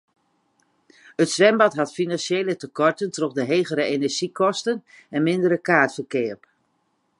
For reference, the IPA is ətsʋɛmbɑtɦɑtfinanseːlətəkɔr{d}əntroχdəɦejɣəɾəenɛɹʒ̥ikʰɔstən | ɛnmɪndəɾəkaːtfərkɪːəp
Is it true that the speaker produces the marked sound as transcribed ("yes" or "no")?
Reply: no